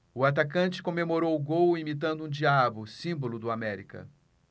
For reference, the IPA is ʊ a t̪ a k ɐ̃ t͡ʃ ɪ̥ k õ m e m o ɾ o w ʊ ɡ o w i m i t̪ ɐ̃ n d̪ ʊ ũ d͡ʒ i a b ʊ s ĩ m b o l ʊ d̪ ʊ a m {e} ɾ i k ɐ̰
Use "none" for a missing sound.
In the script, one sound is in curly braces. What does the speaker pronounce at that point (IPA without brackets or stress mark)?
ɛ